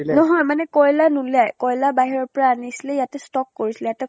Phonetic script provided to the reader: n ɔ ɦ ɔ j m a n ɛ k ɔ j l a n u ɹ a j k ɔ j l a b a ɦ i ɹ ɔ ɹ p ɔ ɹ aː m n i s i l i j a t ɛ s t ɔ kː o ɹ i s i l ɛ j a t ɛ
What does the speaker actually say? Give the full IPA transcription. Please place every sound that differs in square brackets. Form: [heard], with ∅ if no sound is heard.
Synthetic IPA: n ɔ ɦ ɔ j m a n ɛ k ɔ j l a n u [l] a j k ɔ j l a b a ɦ i ɹ ɔ ɹ p ɔ ɹ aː [∅] n i s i l [ɛ] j a t ɛ s t ɔ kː o ɹ i s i l ɛ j a t ɛ